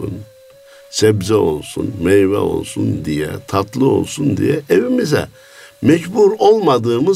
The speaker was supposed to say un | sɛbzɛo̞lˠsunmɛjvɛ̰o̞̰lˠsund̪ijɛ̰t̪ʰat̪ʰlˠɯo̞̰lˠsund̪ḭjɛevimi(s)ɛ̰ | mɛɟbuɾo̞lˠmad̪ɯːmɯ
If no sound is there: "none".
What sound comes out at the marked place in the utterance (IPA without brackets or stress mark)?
z